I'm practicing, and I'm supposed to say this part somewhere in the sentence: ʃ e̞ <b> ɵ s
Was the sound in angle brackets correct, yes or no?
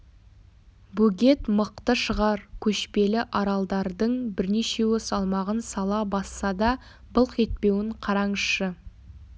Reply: no